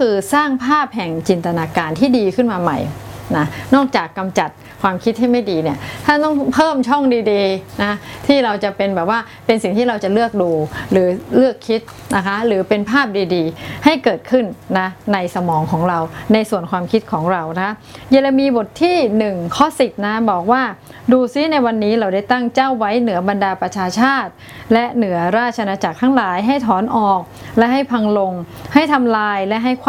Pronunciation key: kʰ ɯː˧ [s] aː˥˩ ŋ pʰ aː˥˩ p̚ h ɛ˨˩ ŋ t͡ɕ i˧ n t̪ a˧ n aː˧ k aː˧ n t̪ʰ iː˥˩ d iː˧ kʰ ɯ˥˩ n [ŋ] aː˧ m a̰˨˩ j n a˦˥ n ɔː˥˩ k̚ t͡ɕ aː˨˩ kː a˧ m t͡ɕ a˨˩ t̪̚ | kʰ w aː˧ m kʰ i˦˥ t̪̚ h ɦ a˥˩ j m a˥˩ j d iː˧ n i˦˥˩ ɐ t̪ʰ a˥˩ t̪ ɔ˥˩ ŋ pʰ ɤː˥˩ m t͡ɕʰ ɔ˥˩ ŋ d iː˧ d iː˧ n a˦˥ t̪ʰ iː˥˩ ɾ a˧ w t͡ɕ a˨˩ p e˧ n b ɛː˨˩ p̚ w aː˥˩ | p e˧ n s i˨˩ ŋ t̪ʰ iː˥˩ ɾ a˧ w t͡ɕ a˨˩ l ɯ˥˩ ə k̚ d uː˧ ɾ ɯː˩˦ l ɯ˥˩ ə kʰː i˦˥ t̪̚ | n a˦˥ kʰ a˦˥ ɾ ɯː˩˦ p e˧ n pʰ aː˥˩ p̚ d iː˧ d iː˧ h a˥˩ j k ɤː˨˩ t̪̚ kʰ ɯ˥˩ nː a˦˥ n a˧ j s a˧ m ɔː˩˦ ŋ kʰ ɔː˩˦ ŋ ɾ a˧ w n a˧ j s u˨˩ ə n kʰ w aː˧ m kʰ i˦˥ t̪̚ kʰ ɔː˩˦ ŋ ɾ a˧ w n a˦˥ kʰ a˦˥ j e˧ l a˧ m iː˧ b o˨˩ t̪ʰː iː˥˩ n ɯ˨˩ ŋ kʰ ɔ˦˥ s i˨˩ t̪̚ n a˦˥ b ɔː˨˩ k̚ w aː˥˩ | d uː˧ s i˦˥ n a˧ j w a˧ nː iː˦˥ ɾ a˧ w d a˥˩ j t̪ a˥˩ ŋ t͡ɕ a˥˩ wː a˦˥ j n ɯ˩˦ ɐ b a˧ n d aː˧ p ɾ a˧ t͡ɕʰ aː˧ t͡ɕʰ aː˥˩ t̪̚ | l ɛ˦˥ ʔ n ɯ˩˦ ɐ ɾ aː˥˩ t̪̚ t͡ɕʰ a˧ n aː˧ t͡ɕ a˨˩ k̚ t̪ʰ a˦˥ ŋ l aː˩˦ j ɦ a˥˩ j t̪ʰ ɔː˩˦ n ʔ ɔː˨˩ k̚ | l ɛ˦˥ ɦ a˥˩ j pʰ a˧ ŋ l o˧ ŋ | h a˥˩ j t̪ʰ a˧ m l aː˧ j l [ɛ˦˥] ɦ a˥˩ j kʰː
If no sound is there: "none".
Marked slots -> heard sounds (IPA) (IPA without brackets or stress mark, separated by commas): s, m, ɛ˦˥